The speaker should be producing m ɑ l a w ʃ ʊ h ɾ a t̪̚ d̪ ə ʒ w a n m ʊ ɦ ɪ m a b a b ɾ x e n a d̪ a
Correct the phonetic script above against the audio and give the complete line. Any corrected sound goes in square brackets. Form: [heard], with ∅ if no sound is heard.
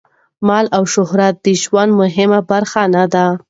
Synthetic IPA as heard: m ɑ l a w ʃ ʊ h ɾ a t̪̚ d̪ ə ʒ w a n m ʊ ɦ ɪ m a b a [∅] ɾ x [a] n a d̪ a